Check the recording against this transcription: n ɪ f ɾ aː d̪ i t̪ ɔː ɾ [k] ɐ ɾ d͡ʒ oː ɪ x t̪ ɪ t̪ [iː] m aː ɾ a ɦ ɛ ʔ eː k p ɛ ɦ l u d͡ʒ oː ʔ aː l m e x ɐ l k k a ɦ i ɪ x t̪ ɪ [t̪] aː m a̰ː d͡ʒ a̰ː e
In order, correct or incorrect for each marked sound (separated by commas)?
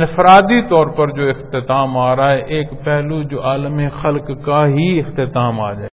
incorrect, incorrect, correct